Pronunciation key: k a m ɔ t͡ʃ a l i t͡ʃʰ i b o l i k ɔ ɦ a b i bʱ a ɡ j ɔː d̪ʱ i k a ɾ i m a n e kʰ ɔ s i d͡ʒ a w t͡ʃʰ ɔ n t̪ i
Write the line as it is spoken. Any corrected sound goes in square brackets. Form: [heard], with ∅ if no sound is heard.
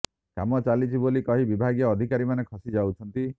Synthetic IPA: k a m ɔ t͡ʃ a l i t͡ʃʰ i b o l i k ɔ ɦ [i] b i bʱ a ɡ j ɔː d̪ʱ i k a ɾ i m a n e kʰ ɔ s i d͡ʒ a w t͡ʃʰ ɔ n t̪ i